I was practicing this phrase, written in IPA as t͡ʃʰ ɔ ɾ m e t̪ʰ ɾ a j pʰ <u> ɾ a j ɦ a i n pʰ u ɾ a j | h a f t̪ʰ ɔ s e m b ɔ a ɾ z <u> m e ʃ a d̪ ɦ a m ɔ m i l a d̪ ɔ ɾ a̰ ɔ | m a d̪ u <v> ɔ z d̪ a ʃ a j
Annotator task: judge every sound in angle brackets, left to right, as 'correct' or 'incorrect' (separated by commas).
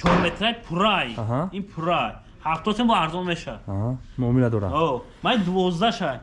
correct, incorrect, correct